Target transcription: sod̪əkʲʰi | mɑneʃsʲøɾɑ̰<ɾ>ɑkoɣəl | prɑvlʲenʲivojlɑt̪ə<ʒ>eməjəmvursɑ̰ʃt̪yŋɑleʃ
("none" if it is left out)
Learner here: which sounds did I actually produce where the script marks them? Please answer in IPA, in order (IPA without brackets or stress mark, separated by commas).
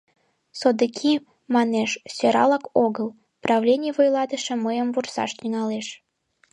l, ʃ